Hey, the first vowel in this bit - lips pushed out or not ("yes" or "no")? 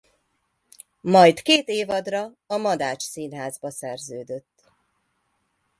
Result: yes